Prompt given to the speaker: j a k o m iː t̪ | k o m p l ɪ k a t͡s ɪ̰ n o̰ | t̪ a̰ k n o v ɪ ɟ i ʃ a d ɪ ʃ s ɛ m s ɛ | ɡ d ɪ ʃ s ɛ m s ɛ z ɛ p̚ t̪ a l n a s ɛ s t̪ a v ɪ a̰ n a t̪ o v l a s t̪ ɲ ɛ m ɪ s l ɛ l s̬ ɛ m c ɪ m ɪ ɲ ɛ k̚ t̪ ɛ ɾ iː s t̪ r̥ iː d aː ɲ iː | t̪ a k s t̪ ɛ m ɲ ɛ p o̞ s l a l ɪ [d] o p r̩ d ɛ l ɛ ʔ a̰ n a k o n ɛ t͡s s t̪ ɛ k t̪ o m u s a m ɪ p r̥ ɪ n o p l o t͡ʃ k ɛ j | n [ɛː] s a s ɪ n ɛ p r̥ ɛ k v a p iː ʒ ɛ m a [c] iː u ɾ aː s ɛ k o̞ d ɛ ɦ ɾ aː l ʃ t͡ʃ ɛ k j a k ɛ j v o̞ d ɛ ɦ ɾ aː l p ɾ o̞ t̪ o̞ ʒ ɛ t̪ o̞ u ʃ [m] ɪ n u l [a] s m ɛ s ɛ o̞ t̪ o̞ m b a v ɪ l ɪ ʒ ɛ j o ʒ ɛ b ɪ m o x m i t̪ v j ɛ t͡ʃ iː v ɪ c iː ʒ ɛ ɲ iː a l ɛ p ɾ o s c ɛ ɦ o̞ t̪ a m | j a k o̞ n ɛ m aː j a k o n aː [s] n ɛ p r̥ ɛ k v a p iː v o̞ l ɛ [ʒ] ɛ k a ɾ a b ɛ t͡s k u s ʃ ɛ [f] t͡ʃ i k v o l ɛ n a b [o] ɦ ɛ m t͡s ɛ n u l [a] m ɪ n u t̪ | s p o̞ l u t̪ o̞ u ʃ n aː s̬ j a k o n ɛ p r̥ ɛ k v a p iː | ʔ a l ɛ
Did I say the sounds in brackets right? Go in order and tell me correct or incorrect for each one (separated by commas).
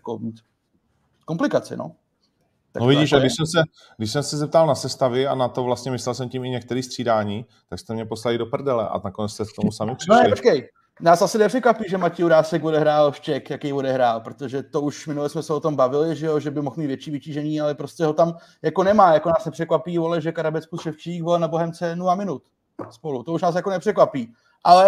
correct, incorrect, correct, correct, incorrect, correct, correct, correct, correct, correct